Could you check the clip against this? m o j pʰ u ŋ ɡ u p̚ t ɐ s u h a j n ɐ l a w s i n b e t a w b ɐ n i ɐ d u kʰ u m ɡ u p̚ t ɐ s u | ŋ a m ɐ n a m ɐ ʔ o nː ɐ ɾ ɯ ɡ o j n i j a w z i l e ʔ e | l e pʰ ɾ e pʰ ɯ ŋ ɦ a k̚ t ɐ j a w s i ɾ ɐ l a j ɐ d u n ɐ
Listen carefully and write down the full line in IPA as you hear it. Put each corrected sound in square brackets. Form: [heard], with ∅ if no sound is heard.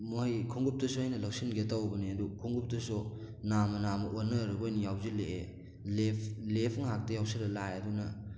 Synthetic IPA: m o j [kʰ] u ŋ ɡ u p̚ t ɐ s u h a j n ɐ l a w s i n [ɡ] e t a w b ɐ n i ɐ d u kʰ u [ŋ] ɡ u p̚ t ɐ s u | [n] a m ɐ n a m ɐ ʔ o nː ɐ ɾ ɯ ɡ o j n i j a w z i l e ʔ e | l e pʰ [l] e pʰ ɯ ŋ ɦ a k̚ t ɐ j a w s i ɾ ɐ l a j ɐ d u n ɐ